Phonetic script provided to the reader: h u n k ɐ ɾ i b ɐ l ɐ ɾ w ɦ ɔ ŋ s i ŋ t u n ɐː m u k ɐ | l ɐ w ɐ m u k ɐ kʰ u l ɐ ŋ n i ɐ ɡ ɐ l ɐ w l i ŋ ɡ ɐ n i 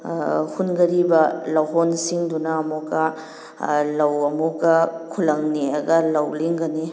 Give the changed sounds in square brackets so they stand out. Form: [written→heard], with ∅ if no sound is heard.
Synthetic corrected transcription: h u n [k→ɡ] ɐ ɾ i b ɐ l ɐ [ɾ→∅] w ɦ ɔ [ŋ→n] s i ŋ [t→d] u n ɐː m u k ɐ | l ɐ w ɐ m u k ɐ kʰ u l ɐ ŋ n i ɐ ɡ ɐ l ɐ w l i ŋ ɡ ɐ n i